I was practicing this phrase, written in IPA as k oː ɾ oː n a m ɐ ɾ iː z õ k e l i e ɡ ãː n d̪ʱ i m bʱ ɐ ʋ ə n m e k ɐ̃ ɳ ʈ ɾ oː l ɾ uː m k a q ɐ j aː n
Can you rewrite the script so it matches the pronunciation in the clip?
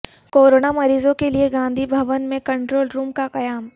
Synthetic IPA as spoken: k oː ɾ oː n a m ɐ ɾ iː z õ k e l i e ɡ ãː n d̪ʱ i bʱ ɐ ʋ ə n m ẽ k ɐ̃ ɳ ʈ ɾ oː l ɾ uː m k a q ɐ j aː m